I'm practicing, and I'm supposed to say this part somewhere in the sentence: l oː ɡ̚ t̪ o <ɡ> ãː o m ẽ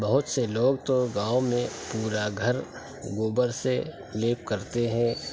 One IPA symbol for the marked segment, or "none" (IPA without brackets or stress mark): ɡ